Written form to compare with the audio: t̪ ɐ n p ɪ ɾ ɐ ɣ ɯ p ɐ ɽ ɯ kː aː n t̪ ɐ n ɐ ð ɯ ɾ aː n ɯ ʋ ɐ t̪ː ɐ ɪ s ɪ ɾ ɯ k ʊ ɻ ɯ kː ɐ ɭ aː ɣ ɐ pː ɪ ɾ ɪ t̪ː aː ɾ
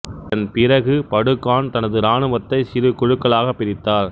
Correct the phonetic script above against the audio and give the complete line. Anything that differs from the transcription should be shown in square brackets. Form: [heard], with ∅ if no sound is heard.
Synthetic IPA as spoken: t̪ ɐ n p ɪ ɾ ɐ ɣ ɯ p ɐ ɽ ɯ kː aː n t̪ ɐ n ɐ ð ɯ ɾ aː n ɯ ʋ ɐ t̪ː ɐ ɪ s ɪ ɾ ɯ k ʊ ɻ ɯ kː ɐ ɭ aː ɣ ɐ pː ɪ ɾ ɪ t̪ː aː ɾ